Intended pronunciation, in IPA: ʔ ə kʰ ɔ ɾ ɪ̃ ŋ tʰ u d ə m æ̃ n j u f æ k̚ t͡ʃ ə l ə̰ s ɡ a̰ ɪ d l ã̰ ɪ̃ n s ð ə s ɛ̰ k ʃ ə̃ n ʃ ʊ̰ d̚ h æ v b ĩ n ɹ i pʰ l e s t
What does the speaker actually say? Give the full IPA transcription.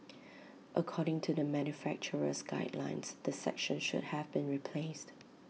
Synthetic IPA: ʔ ə kʰ ɔ ɾ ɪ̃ ŋ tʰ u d ə m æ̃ n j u f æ k̚ t͡ʃ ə ɹ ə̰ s ɡ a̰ ɪ d l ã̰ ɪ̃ n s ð ə s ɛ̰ k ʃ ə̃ n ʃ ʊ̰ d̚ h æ v b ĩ n ɹ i pʰ l e s t

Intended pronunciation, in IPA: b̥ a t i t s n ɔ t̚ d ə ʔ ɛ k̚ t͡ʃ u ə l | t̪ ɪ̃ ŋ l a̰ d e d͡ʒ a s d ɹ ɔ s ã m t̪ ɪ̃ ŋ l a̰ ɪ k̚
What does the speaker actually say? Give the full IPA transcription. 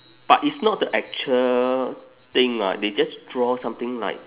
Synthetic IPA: b̥ a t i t s n ɔ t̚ d ə ʔ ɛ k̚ t͡ʃ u ə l | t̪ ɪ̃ ŋ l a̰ d e d͡ʒ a s d ɹ ɔ s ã m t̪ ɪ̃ ŋ l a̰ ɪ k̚

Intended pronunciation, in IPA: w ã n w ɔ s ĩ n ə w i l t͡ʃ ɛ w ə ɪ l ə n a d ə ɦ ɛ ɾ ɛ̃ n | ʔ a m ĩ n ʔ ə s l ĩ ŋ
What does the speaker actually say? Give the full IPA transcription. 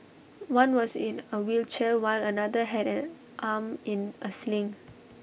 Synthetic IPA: w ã n w ɔ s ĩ n ə w i l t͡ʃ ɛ w a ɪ l ə n a d ə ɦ ɛ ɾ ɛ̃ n | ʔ a m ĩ n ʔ ə s l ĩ ŋ

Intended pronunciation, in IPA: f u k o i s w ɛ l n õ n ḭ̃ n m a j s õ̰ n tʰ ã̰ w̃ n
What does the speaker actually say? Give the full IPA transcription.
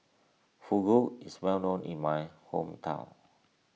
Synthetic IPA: f u ɡ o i s w ɛ l n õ n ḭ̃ n m a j h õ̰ m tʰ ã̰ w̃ n

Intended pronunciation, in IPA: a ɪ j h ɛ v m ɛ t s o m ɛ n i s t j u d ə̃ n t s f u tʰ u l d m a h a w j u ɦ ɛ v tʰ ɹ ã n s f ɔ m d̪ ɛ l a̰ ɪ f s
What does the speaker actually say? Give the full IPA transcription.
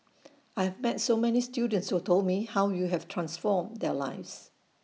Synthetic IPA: a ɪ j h ɛ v m ɛ t s o m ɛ n i s t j u d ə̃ n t s h u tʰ o l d m i h a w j u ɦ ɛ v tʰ ɹ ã n s f ɔ m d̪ ɛ l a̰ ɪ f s

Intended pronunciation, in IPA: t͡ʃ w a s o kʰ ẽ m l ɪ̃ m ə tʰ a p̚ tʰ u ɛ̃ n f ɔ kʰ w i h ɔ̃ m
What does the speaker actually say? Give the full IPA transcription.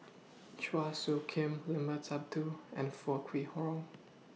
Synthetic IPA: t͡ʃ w a s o kʰ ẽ m l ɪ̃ m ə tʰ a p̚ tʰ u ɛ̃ n f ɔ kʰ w i h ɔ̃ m

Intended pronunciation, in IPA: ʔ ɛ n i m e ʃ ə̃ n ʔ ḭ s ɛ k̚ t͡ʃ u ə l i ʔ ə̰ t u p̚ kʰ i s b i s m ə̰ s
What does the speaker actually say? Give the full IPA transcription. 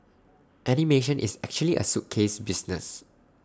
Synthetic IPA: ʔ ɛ n i m e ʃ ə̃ n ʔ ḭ s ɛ k̚ t͡ʃ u ə l i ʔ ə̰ s u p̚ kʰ e s b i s n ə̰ s

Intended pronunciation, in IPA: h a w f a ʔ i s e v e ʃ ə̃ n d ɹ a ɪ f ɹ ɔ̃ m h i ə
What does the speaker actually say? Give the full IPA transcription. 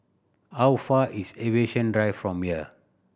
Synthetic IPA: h a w f a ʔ i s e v e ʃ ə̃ n d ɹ a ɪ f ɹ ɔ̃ m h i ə

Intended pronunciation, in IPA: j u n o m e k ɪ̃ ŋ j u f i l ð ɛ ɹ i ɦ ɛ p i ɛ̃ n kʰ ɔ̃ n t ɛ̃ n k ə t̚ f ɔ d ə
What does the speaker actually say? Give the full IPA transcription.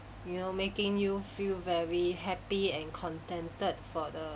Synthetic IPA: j u n o m e k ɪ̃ ŋ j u f i l v ɛ ɹ i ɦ ɛ p i ɛ̃ n kʰ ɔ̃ n t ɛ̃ n t ə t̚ f ɔ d ə

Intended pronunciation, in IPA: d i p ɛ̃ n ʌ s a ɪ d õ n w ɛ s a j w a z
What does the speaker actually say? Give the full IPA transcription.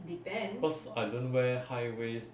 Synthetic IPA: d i p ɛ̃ n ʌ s a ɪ d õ n w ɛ h a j w e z

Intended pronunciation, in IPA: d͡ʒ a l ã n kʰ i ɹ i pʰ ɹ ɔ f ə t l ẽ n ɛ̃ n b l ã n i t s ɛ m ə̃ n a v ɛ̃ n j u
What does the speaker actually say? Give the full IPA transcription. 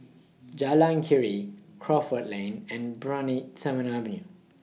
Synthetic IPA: d͡ʒ a l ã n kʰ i ɹ i kʰ ɹ ɔ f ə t l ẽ n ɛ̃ n b ɹ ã n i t s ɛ m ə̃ n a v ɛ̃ n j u

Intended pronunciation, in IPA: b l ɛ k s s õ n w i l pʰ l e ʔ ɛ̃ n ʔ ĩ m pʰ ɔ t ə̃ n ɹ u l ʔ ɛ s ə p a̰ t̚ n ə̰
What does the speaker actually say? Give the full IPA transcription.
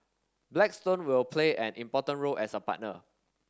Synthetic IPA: b l ɛ k s t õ n w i l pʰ l e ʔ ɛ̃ n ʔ ĩ m p ɔ t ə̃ n ɹ o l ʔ ɛ s ə p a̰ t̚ n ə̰

